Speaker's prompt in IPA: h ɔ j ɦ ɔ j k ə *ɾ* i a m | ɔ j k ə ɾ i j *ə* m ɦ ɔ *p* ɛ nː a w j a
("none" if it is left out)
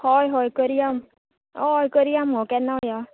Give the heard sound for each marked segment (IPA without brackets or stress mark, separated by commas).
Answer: ɾ, a, k